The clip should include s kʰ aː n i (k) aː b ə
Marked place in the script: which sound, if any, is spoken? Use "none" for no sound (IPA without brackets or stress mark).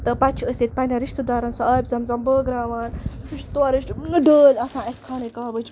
k